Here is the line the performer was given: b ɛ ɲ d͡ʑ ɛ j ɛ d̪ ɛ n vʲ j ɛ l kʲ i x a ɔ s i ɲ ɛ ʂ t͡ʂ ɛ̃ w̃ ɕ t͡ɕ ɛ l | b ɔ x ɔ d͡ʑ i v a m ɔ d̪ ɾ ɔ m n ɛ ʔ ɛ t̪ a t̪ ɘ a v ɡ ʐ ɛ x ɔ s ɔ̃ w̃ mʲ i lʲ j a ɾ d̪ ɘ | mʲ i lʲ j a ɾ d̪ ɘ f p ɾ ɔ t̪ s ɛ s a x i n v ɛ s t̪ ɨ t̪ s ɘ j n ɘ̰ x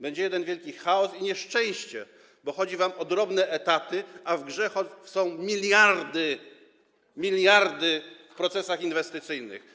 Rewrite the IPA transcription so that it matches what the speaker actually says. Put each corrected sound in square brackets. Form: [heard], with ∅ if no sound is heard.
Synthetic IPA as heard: b ɛ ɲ d͡ʑ ɛ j ɛ d̪ ɛ n vʲ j ɛ l kʲ i x a ɔ s i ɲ ɛ ʂ t͡ʂ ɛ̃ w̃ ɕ t͡ɕ ɛ [∅] | b ɔ x ɔ d͡ʑ i v a m ɔ d̪ ɾ ɔ [b] n ɛ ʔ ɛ t̪ a t̪ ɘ a v ɡ ʐ ɛ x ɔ s ɔ̃ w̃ mʲ i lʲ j a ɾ d̪ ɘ | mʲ i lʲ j a ɾ d̪ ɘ f p ɾ ɔ t̪ s ɛ s a x i n v ɛ s t̪ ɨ t̪ s ɘ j n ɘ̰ x